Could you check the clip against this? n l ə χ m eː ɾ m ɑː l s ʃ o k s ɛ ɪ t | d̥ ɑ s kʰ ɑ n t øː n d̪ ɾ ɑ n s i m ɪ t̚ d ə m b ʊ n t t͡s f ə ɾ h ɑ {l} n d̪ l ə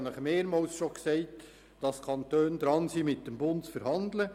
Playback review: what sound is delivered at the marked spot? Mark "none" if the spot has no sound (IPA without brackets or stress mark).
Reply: none